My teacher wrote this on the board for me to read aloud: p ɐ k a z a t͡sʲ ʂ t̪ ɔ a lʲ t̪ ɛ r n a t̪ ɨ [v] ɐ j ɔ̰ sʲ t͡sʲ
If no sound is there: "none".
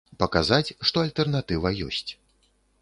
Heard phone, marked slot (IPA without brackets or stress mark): v